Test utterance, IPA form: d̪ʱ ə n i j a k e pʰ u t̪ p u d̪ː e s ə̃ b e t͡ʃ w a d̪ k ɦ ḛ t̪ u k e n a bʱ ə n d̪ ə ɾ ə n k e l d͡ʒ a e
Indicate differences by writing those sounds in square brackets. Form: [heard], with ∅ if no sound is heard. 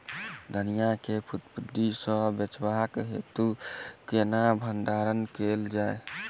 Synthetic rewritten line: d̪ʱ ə n i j a k e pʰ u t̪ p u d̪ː [i] s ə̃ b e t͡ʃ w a [∅] k ɦ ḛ t̪ u k e n a bʱ ə n d̪ [a] ɾ ə n k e l d͡ʒ a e